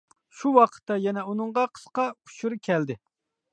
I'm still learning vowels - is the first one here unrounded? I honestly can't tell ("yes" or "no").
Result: no